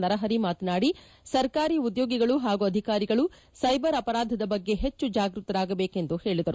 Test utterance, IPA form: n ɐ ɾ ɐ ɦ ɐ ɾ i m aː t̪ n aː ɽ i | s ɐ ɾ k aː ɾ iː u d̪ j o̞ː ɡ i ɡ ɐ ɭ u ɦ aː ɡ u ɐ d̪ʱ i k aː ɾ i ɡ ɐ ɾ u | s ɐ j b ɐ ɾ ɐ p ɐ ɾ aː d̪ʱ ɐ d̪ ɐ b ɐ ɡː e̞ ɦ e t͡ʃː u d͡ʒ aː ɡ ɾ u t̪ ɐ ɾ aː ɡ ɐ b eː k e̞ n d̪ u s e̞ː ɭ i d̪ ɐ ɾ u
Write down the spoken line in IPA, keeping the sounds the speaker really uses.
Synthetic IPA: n ɐ ɾ ɐ ɦ ɐ ɾ i m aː t̪ n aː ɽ i | s ɐ ɾ k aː ɾ iː u d̪ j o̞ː ɡ i ɡ ɐ ɭ u ɦ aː ɡ u ɐ d̪ʱ i k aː ɾ i ɡ ɐ ɭ u | s ɐ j b ɐ ɾ ɐ p ɐ ɾ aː d̪ʱ ɐ d̪ ɐ b ɐ ɡː e̞ ɦ e t͡ʃː u d͡ʒ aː ɡ ɾ u t̪ ɐ ɾ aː ɡ ɐ b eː k e̞ n d̪ u h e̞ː ɭ i d̪ ɐ ɾ u